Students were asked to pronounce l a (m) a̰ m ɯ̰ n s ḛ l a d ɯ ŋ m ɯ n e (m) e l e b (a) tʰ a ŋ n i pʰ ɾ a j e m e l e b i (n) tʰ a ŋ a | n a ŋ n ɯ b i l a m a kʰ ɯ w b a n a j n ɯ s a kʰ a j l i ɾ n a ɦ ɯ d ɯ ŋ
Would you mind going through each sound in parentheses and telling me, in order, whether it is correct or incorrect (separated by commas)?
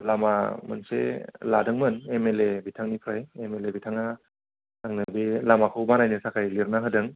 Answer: correct, correct, incorrect, incorrect